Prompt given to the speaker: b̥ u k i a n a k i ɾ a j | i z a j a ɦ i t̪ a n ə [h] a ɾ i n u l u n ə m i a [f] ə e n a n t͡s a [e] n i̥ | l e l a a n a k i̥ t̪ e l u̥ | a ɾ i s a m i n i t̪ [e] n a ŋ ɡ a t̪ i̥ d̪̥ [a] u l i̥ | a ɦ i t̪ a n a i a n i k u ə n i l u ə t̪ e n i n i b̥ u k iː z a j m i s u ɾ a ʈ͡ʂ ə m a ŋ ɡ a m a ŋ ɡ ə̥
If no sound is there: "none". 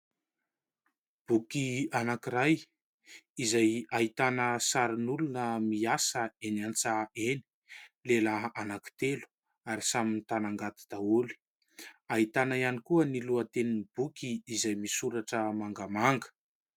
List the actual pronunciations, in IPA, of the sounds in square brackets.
s, s, e, a, a

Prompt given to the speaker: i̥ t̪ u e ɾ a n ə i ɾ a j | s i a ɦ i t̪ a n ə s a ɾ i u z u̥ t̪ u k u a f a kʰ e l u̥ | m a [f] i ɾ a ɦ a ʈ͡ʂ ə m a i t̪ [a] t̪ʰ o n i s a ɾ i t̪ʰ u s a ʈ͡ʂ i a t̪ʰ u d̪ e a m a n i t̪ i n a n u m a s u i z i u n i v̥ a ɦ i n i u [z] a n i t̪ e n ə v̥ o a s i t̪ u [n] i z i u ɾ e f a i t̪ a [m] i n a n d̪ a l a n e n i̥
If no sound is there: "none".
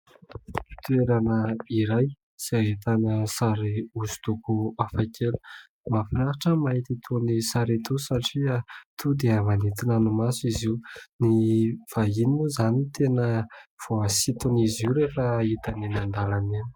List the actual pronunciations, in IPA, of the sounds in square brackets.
f, i, z, n, n

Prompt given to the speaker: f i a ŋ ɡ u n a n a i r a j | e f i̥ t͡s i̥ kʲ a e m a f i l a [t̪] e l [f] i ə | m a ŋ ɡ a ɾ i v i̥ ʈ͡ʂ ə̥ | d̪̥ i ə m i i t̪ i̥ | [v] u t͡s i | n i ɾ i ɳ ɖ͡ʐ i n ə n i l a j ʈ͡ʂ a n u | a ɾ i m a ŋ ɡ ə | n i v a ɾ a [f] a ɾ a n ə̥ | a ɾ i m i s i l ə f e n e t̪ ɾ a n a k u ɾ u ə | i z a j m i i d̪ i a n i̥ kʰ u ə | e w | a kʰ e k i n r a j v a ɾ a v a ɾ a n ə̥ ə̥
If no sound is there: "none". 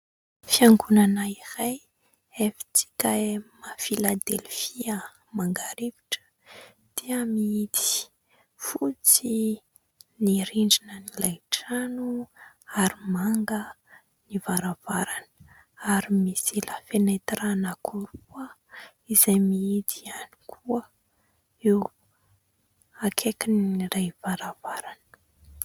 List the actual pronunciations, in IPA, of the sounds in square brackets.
d̪, f, f, v

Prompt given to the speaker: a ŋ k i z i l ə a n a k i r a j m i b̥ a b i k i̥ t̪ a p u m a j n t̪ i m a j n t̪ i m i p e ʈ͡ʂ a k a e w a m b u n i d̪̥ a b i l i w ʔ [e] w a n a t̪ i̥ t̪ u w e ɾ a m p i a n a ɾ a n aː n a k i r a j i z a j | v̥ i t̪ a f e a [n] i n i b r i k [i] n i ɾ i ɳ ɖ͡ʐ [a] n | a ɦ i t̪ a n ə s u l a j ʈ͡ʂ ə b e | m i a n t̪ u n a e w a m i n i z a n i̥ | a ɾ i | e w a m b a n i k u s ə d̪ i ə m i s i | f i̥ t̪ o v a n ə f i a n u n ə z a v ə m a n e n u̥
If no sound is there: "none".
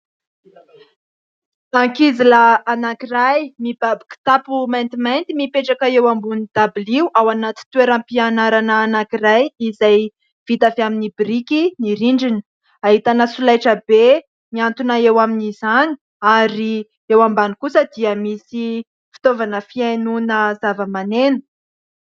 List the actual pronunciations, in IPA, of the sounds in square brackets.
a, m, i, i

